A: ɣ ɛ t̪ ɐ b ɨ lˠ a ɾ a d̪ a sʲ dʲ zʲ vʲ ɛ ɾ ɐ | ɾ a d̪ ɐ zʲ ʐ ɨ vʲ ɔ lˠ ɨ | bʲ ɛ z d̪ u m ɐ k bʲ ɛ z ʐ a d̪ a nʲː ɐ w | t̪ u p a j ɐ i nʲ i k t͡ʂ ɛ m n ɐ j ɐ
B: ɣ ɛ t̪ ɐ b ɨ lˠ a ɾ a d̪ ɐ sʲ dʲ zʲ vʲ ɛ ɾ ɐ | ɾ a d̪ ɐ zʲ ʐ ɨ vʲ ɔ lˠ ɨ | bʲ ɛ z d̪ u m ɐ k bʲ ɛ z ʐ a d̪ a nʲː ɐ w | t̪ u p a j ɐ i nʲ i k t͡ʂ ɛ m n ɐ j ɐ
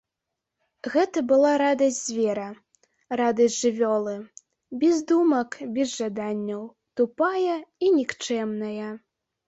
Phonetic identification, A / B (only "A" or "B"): B